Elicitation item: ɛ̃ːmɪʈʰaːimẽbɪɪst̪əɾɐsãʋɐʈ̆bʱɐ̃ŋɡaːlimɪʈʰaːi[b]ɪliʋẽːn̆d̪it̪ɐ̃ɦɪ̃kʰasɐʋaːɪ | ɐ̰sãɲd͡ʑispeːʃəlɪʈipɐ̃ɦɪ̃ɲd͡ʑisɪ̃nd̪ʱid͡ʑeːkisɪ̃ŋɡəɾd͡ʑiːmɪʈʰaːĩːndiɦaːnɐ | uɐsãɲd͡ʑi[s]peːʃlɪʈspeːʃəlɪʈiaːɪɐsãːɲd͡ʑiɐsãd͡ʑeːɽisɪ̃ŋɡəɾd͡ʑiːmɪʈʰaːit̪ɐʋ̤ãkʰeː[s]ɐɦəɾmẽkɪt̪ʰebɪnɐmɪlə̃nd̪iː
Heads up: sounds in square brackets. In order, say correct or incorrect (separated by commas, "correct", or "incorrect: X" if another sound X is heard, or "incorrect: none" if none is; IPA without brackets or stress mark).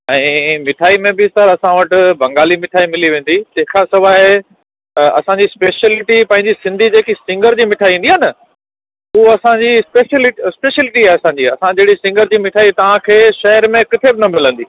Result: incorrect: m, correct, incorrect: ʃ